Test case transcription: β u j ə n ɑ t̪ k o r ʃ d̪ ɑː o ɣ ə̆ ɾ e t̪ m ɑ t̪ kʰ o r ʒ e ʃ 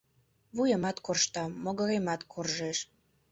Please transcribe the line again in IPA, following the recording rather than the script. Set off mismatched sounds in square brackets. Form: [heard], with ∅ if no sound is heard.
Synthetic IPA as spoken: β u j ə [m] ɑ t̪ k o r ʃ [t̪] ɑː o ɣ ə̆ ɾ e [∅] m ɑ t̪ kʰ o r ʒ e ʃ